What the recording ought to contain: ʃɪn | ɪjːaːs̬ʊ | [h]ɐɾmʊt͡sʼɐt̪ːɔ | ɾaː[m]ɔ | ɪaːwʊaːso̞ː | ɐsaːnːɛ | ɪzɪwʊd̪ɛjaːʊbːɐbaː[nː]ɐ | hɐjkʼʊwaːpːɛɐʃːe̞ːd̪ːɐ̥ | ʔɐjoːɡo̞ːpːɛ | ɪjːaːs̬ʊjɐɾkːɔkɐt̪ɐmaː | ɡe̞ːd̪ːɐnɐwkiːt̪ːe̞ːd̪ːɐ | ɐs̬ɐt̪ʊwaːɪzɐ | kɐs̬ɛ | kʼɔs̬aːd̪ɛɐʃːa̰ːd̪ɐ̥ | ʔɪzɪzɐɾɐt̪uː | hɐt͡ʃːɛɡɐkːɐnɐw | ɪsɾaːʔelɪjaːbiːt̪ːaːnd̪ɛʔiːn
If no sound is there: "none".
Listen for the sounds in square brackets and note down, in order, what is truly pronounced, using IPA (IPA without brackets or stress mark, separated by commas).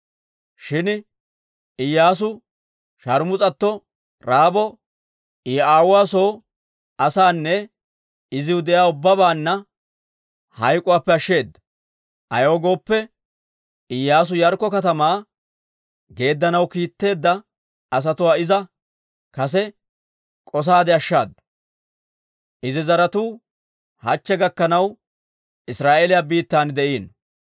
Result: ʃ, b, nː